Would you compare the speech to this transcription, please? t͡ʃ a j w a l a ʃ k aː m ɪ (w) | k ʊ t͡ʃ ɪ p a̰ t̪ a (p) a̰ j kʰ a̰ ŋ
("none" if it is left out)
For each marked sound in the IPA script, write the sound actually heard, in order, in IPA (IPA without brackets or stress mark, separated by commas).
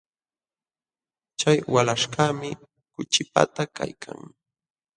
none, k